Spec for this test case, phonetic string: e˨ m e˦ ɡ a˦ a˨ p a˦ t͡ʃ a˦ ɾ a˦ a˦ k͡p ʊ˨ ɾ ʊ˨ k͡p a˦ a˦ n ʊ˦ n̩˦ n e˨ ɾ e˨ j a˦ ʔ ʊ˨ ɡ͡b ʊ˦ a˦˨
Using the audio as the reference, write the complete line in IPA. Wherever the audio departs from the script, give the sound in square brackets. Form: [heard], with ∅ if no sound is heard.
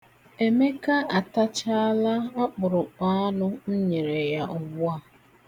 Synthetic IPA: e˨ m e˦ [k] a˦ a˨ [t] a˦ t͡ʃ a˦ [l] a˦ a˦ k͡p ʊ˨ ɾ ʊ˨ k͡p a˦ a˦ n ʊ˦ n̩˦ [ɲ] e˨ ɾ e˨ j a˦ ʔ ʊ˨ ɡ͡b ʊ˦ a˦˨